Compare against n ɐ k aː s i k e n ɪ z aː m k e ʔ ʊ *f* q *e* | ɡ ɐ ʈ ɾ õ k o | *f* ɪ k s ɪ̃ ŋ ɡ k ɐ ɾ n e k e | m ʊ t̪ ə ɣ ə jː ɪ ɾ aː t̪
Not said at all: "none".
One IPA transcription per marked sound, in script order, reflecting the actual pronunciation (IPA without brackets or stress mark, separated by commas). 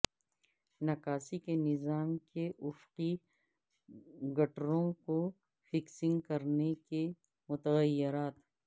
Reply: f, i, f